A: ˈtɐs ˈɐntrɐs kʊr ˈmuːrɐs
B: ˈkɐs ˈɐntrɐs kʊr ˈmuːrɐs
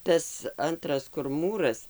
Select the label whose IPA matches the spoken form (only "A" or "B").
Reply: A